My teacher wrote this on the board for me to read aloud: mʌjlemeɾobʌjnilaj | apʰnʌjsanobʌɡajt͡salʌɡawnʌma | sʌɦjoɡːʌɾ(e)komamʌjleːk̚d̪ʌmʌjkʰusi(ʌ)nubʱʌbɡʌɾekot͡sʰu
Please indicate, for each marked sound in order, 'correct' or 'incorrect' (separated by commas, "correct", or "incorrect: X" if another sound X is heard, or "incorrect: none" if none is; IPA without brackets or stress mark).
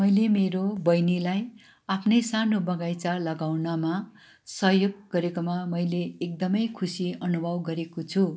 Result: correct, correct